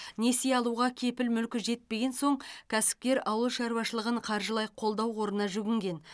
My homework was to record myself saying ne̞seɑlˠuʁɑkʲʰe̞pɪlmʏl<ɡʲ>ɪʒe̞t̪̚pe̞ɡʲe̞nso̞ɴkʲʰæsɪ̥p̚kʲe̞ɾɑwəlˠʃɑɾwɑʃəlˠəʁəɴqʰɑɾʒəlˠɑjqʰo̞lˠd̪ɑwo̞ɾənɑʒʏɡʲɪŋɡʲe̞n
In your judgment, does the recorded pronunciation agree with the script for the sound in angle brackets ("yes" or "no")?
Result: no